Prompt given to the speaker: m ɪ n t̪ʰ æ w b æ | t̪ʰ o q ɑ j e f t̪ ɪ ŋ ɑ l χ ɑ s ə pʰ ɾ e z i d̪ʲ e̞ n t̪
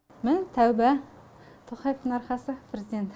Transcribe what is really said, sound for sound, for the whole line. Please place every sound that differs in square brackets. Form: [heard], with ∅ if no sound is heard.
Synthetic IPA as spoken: m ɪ n t̪ʰ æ w b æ | t̪ʰ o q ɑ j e f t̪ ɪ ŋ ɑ [ɾ] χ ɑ s ə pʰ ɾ e z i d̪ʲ e̞ n t̪